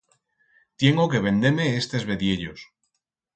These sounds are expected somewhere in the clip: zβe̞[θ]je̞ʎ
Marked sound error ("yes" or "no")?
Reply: yes